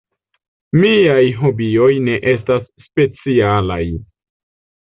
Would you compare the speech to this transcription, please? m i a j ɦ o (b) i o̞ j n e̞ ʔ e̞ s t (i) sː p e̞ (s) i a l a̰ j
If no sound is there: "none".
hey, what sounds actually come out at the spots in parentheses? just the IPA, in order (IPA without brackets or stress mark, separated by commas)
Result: b, a, t͡s